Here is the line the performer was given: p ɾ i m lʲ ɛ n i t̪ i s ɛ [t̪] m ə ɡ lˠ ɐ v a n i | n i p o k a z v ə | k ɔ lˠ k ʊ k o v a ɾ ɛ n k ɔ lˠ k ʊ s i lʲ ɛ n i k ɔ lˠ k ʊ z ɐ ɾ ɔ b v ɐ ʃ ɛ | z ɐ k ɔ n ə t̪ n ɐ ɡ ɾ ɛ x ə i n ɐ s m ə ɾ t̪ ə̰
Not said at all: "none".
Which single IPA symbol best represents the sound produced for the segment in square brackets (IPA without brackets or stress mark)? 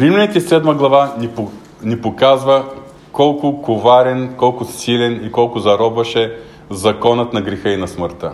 d̪